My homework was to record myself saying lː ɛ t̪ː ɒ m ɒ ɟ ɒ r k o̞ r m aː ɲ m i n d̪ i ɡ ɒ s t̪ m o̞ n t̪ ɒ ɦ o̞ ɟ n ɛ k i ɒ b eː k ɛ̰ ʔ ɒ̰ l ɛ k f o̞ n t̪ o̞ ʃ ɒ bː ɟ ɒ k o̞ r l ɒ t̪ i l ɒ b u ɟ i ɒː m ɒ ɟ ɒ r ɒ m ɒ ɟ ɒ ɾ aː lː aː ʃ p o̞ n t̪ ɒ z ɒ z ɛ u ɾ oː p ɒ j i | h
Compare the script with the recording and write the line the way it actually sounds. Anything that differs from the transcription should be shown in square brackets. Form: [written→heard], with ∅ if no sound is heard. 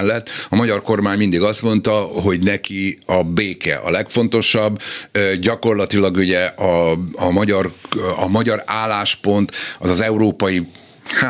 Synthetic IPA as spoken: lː ɛ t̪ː ɒ m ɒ ɟ ɒ r k o̞ r m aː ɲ m i n d̪ i ɡ ɒ s t̪ m o̞ n t̪ ɒ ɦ o̞ ɟ n ɛ k i ɒ b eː k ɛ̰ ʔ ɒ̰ l ɛ k f o̞ n t̪ o̞ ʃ ɒ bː ɟ ɒ k o̞ r l ɒ t̪ i l ɒ [b→ɡ] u ɟ [i→ɛ] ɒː m ɒ ɟ ɒ r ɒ m ɒ ɟ ɒ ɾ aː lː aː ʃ p o̞ n t̪ ɒ z ɒ z ɛ u ɾ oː p ɒ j i | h